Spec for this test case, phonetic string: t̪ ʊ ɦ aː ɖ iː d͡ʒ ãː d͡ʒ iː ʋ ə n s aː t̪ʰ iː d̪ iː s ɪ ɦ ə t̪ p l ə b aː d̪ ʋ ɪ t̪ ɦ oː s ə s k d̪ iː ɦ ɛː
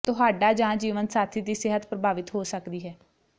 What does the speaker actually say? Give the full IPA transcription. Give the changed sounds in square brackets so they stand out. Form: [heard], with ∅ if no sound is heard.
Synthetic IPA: t̪ ʊ ɦ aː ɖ [aː] d͡ʒ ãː d͡ʒ iː ʋ ə n s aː t̪ʰ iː d̪ iː s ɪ ɦ ə t̪ p [ɾ] ə b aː [∅] ʋ ɪ t̪ ɦ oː s ə [∅] k d̪ iː ɦ ɛː